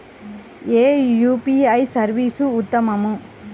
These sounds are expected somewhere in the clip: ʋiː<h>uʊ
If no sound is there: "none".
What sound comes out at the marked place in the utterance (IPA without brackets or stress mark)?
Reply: s